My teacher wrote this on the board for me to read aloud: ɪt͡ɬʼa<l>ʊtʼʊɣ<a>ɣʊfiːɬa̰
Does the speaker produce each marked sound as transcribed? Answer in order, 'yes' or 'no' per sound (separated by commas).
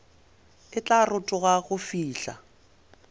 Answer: no, yes